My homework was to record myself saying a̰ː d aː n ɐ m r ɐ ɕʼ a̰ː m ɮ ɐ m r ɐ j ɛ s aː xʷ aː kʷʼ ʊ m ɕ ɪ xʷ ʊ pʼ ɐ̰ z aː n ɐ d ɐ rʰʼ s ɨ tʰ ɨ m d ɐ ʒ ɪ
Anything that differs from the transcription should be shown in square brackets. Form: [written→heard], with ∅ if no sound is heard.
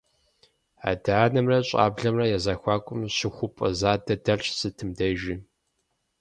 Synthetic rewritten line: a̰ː d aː n ɐ m r ɐ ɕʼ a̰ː [m→b] ɮ ɐ m r ɐ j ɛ [s→z] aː xʷ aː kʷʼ ʊ m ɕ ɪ xʷ ʊ pʼ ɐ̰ z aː [n→d] ɐ d ɐ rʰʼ s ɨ tʰ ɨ m d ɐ ʒ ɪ